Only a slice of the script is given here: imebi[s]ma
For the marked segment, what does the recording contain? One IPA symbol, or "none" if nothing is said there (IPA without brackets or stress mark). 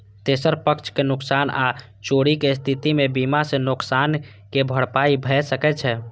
none